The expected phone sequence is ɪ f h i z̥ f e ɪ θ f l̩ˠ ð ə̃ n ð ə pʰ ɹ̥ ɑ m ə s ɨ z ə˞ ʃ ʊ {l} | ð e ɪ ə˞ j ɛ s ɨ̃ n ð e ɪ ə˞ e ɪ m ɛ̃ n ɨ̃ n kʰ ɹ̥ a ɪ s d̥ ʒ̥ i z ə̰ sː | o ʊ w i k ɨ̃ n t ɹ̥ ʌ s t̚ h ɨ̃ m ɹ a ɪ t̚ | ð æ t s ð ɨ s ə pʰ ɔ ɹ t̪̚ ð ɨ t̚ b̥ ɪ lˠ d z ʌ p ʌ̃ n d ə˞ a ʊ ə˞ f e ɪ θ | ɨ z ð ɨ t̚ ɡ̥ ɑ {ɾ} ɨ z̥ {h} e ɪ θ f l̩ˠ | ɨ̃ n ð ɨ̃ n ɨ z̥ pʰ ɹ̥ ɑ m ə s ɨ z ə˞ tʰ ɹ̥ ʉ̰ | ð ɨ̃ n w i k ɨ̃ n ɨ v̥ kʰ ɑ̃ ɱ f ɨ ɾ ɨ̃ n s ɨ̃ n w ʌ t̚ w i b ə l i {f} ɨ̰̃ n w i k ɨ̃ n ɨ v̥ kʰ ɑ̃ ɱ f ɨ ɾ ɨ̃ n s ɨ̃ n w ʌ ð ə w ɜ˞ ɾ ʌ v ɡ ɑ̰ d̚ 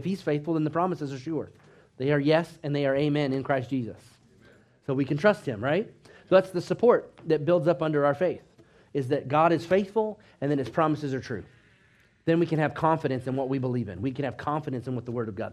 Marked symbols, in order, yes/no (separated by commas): no, yes, no, no